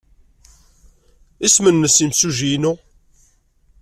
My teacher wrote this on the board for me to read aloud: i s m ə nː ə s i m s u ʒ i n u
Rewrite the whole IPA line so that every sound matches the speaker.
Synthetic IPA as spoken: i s m ə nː ə s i m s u ʒ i n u